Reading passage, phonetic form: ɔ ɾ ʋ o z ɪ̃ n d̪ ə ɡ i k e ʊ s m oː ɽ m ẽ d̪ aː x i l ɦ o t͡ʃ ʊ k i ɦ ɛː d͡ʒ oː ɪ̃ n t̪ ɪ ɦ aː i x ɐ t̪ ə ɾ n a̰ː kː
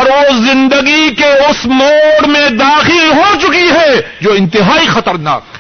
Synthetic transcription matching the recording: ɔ ɾ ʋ o z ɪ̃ n d̪ ə ɡ i k e ʊ s m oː ɽ m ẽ d̪ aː x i l ɦ o t͡ʃ ʊ k i ɦ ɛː d͡ʒ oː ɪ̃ n t̪ ɪ ɦ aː i x ɐ t̪ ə ɾ n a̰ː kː